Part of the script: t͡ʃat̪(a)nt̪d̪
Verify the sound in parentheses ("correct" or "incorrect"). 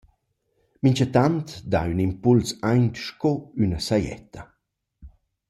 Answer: correct